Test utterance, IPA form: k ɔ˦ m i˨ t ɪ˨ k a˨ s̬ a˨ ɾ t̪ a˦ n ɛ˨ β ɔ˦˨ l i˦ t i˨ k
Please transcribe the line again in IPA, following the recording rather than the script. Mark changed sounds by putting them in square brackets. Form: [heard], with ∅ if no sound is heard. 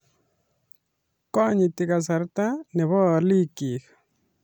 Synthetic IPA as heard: k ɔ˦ [ɲ] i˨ t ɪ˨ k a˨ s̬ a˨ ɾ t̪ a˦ n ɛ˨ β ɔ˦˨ l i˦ [k] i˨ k